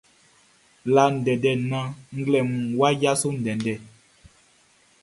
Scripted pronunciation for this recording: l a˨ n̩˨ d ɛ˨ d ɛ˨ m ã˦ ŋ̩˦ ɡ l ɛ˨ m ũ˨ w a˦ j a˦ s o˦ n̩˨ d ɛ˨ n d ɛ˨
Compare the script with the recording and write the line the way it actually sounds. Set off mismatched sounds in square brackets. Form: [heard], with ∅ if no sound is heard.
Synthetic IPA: l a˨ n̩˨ d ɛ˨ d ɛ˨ [n] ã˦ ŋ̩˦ ɡ l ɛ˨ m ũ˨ w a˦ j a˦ s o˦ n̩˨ d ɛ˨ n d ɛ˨